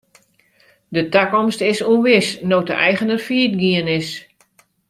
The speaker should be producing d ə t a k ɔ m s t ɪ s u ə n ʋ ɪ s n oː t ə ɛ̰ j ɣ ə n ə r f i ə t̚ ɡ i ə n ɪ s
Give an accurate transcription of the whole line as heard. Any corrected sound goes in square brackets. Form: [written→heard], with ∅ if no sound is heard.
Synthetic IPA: d ə t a k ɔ m s t ɪ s u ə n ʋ ɪ s n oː t ə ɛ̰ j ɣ ə n ə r f i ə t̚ ɡ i ə n ɪ s